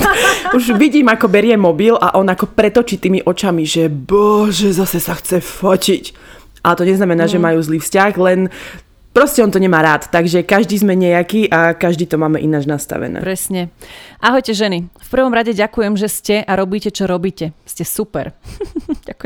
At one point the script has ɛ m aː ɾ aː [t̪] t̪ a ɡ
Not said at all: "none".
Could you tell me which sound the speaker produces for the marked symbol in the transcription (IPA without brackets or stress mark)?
t̪